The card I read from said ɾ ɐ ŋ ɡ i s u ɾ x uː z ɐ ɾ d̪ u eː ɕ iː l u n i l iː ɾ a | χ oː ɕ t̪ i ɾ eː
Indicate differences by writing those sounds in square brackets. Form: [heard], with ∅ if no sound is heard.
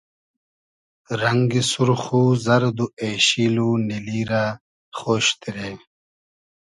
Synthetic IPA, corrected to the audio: ɾ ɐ ŋ ɡ i s u ɾ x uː z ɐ ɾ d̪ u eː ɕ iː l u n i l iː ɾ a | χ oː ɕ t̪ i ɾ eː